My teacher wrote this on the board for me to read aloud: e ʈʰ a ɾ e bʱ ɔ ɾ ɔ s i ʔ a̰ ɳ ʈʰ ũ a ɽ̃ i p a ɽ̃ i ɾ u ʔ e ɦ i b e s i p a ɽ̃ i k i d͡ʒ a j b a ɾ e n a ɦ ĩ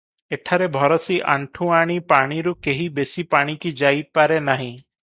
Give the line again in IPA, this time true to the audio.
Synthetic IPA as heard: e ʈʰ a ɾ e bʱ ɔ ɾ ɔ s i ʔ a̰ ɳ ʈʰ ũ a ɽ̃ i p a ɽ̃ i ɾ u k e ɦ i b e s i p a ɽ̃ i k i d͡ʒ a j p a ɾ e n a ɦ ĩ

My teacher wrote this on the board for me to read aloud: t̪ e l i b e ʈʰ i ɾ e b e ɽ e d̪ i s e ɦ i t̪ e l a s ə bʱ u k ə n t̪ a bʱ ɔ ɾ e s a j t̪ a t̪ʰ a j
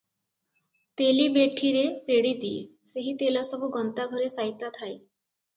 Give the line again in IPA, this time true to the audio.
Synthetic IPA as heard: t̪ e l i b e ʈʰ i ɾ e p e ɽ i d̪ i s e ɦ i t̪ e l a s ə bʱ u ɡ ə n t̪ a ɡʱ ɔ ɾ e s a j t̪ a t̪ʰ a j

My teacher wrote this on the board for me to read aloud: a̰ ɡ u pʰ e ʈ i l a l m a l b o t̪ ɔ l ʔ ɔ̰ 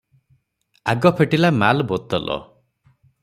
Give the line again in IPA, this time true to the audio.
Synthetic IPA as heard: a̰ ɡ ɔ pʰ e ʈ i l a m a l b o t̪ ɔ l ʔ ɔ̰

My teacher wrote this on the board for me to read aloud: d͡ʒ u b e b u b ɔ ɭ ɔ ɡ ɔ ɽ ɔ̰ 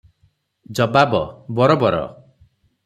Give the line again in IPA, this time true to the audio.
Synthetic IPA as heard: d͡ʒ ɔ b a b ɔ b ɔ ɾ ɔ b ɔ ɾ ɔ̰

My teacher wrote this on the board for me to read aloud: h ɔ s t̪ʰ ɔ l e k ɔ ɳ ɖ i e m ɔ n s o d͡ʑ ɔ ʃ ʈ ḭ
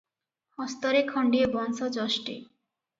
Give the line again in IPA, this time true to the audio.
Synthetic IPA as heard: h ɔ s t̪ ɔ ɾ e kʰ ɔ ɳ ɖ i e b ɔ n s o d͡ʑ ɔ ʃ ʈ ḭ

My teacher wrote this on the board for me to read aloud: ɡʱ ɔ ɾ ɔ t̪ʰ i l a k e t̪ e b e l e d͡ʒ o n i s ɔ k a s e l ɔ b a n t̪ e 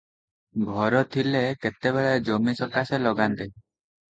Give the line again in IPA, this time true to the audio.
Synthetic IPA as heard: ɡʱ ɔ ɾ ɔ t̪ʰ i l e k e t̪ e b e ɭ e d͡ʒ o m i s ɔ k a s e l ɔ ɡ a n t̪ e

